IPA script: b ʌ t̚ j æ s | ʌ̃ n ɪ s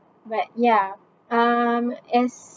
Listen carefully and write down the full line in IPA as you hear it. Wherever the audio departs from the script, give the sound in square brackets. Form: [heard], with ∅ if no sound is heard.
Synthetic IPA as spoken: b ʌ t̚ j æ [∅] | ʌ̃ [m] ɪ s